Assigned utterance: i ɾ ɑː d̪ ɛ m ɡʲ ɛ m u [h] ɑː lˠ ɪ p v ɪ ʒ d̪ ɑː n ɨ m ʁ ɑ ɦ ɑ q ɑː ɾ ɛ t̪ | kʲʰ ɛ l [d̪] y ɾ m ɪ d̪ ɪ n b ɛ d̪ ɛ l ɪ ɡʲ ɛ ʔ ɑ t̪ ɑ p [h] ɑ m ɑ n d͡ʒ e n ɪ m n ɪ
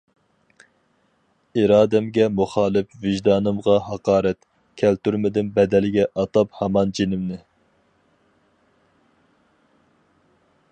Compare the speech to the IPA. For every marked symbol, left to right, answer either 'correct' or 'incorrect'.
incorrect: χ, incorrect: t̪, correct

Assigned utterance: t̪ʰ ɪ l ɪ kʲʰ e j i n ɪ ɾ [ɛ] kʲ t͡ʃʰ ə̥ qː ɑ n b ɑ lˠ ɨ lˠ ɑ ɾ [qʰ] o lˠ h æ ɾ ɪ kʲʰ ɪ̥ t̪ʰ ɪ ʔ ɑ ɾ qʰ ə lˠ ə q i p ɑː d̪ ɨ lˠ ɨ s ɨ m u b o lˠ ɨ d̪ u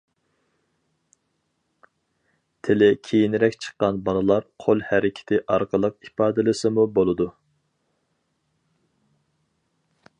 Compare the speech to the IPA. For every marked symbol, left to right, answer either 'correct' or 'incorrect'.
correct, correct

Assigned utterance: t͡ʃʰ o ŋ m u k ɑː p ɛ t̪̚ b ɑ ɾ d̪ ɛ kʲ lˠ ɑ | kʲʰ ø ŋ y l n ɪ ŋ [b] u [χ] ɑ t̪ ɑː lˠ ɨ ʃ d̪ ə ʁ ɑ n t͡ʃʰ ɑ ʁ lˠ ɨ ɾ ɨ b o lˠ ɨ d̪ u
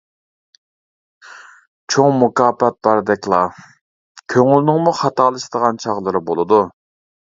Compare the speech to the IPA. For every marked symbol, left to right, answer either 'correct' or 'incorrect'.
incorrect: m, correct

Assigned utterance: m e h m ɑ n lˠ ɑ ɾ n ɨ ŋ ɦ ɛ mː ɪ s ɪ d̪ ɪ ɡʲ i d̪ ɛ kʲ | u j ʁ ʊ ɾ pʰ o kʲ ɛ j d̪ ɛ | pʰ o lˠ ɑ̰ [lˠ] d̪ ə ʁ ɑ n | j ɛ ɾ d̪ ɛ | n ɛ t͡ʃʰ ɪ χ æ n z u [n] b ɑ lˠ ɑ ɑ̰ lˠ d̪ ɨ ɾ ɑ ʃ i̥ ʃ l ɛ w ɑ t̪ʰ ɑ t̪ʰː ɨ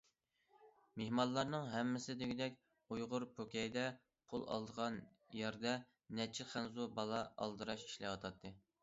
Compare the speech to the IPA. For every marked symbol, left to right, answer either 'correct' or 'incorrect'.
correct, incorrect: none

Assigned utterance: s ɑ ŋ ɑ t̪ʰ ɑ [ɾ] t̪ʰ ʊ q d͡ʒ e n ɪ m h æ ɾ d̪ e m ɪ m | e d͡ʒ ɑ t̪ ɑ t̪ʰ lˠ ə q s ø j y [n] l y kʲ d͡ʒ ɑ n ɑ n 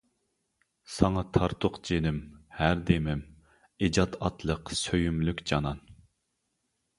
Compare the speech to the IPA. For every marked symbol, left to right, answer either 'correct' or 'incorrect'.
correct, incorrect: m

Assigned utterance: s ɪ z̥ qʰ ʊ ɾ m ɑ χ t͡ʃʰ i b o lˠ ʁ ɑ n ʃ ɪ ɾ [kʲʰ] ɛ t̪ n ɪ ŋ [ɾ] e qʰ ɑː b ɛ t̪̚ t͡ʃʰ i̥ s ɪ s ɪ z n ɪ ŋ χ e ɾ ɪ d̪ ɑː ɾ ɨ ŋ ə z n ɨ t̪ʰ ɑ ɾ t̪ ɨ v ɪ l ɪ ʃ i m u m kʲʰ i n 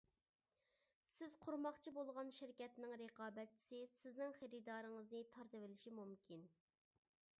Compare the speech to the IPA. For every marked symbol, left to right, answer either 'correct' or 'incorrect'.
incorrect: kʲ, correct

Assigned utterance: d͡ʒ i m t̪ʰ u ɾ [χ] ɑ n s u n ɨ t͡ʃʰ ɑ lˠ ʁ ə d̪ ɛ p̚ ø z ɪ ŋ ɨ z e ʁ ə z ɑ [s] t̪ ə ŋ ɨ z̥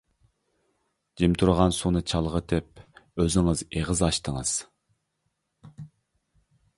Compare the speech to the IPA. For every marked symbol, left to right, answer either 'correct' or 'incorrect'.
incorrect: ʁ, incorrect: ʃ

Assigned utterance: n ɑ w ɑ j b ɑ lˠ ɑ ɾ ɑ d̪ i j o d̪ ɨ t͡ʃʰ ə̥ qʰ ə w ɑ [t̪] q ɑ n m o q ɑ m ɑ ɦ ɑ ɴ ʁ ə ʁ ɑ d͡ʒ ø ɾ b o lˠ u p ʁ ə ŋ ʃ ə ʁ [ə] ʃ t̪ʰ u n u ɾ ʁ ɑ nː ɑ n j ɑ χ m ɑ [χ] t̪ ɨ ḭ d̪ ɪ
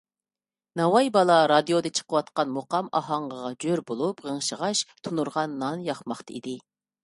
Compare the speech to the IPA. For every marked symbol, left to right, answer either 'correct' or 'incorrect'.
correct, incorrect: ɑ, correct

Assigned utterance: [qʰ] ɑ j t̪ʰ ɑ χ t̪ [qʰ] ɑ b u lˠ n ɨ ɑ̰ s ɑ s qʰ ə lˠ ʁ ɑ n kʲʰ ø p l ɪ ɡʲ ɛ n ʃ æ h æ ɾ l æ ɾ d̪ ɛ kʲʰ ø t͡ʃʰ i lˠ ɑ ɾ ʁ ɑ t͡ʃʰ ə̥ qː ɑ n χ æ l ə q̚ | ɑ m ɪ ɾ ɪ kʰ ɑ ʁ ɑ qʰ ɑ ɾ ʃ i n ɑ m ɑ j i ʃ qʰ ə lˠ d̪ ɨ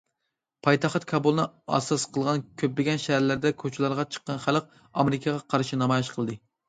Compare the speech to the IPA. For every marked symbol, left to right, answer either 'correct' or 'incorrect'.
incorrect: pʰ, incorrect: kʰ

